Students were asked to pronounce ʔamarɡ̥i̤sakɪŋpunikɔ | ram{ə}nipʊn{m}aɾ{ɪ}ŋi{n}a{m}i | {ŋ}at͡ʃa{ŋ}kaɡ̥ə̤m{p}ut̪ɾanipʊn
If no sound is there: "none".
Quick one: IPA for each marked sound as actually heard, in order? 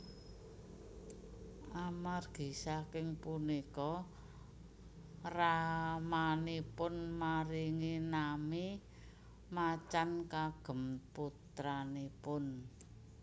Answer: a, m, i, n, m, m, n, p

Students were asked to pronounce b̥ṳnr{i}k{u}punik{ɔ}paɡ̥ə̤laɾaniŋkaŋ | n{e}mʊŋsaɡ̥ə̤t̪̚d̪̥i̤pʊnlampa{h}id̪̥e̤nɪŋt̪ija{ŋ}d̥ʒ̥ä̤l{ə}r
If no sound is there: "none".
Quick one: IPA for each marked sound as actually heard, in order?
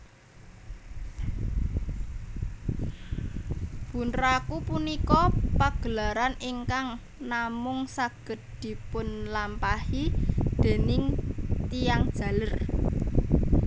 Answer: a, u, ɔ, a, h, ŋ, ə

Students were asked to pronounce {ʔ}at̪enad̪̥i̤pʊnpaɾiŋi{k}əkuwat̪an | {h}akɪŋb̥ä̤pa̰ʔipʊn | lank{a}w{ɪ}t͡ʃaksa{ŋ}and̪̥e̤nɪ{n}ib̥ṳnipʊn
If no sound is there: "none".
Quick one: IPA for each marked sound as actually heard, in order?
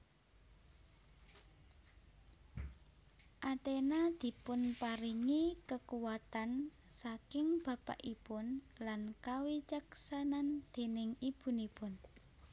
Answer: ʔ, k, s, a, i, n, ŋ

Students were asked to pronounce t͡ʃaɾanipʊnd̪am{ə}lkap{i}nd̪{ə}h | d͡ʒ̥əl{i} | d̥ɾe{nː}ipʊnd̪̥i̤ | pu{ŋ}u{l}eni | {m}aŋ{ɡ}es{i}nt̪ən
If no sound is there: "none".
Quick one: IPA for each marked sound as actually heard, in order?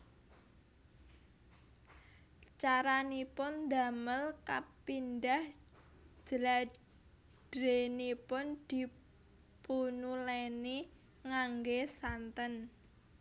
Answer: ə, i, a, a, n, n, l, ŋ, ɡ, a

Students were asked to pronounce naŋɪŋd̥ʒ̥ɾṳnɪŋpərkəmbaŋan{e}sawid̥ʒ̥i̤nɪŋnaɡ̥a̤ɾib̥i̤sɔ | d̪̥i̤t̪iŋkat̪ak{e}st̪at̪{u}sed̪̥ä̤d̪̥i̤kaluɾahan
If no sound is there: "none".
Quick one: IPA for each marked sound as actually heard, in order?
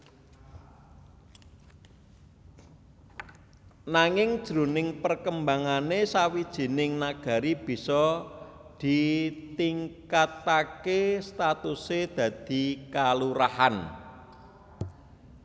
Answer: e, e, u

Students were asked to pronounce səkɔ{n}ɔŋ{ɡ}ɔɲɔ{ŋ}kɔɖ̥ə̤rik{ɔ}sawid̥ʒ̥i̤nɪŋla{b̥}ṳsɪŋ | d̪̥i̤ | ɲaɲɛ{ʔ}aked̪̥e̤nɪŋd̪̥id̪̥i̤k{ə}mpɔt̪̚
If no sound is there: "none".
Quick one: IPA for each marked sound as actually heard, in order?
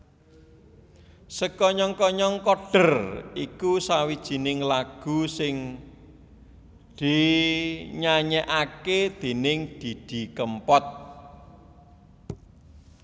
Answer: ɲ, k, ŋ, u, ɡ̥, ʔ, ə

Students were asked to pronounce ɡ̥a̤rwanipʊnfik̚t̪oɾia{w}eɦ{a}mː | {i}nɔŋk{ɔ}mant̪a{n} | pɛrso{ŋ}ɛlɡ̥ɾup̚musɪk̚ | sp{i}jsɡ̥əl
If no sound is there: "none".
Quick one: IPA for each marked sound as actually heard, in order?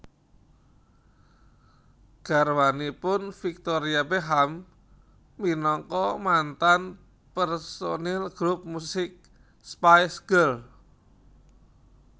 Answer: b, a, i, ɔ, n, n, a

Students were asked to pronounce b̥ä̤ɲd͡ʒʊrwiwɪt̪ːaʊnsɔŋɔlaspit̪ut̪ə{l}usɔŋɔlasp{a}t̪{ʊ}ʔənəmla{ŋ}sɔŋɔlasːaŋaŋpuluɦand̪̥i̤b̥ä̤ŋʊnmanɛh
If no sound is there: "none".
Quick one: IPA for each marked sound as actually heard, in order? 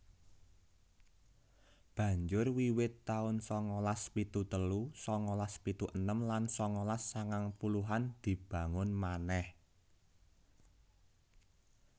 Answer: l, i, u, n

